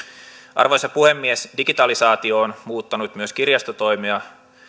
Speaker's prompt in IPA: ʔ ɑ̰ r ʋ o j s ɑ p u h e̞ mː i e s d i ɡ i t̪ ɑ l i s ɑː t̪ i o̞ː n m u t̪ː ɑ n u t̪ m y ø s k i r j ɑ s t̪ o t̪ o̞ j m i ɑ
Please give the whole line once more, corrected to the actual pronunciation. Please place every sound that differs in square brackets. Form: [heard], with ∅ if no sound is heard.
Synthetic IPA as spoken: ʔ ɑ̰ r ʋ o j s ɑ p u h e̞ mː i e s d i ɡ i t̪ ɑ l i s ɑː t̪ i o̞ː n m [uː] t̪ː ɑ n u t̪ m y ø s k i r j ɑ s t̪ o t̪ o̞ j m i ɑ